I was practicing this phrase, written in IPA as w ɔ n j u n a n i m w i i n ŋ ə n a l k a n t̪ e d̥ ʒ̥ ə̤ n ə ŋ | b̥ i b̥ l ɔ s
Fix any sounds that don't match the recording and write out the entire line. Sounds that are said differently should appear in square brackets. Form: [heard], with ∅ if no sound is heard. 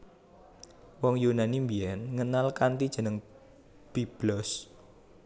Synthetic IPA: w ɔ [ŋ] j u n a n i m [b] i [ɛ] n ŋ ə n a l k a n t̪ [i] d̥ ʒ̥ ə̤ n ə ŋ | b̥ i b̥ l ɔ s